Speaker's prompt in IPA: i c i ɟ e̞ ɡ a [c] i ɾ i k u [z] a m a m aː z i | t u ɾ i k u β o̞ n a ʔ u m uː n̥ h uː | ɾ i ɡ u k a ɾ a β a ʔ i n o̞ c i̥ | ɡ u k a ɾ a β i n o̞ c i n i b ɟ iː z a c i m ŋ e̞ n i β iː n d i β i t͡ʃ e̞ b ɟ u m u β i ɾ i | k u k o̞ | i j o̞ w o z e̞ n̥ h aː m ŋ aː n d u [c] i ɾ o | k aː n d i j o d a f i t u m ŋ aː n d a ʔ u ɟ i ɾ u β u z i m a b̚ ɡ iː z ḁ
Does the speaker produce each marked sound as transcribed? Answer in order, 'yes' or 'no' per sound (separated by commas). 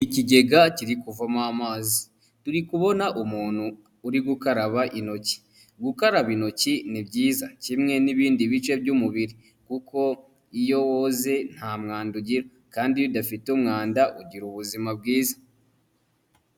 yes, no, no